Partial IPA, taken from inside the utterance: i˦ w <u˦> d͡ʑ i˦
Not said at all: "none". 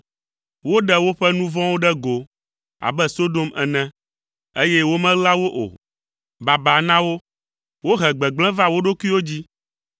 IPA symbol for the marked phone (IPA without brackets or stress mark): o˦